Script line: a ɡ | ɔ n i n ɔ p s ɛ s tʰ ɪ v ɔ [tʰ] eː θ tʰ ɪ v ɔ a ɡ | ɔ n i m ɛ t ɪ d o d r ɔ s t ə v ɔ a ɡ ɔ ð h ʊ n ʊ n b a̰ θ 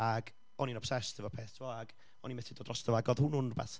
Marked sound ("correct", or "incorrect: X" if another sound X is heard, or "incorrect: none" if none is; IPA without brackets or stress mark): incorrect: pʰ